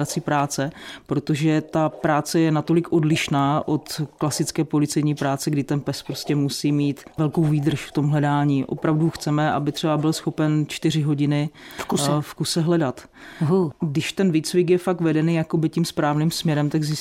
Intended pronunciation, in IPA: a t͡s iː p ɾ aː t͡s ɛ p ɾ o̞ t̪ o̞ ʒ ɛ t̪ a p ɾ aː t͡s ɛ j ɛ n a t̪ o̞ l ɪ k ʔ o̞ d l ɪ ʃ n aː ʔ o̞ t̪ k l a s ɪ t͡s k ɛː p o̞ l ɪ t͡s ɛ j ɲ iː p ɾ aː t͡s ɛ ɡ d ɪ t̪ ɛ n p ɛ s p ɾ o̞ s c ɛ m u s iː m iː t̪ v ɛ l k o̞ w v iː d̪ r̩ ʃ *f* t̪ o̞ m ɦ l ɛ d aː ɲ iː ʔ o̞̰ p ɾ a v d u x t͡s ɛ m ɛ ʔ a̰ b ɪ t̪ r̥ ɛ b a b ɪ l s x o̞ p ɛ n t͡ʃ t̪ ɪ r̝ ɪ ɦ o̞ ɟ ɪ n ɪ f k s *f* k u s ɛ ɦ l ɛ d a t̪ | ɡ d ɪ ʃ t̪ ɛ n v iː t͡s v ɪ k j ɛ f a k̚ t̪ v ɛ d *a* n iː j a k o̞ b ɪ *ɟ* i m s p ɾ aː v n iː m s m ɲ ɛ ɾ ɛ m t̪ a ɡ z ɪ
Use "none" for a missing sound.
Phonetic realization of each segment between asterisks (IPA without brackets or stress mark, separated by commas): f, f, ɛ, c